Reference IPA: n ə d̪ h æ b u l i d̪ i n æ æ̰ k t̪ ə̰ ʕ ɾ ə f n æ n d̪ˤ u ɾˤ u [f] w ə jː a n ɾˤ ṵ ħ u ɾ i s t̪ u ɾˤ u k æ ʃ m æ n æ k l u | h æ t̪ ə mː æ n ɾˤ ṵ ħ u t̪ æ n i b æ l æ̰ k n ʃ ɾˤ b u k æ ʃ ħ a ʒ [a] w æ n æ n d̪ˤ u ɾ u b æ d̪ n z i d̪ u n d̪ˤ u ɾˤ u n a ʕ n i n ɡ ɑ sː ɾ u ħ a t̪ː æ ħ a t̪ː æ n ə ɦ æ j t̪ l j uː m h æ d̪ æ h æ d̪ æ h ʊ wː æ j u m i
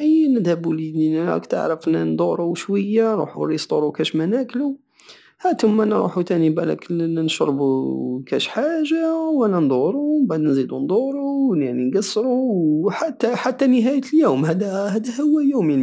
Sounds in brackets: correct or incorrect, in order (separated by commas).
incorrect, correct